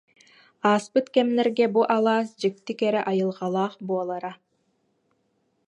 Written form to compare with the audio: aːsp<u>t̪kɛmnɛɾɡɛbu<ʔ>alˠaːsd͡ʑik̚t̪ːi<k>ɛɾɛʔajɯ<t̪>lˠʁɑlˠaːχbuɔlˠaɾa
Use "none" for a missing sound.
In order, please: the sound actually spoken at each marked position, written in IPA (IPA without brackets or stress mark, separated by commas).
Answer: ɯ, ʔ, k, none